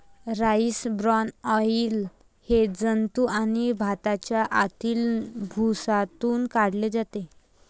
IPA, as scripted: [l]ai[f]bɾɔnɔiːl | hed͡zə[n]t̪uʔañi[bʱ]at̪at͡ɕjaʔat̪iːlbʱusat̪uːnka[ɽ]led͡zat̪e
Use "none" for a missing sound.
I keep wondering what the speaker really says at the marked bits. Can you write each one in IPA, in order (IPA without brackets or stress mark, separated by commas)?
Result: ɾ, s, n, bʱ, ɽ